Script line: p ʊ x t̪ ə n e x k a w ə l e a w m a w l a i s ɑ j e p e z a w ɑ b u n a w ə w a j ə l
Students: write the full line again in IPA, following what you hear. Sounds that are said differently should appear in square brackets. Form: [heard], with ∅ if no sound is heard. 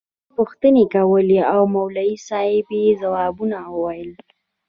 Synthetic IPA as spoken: p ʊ x t̪ ə n e [∅] k a w ə l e a w m a w l a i s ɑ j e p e z a w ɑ b u n a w ə w a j ə l